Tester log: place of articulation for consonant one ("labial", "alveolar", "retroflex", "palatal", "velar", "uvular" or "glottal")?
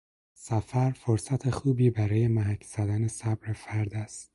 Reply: alveolar